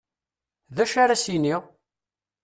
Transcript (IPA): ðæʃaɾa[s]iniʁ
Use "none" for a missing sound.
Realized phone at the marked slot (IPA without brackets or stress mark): s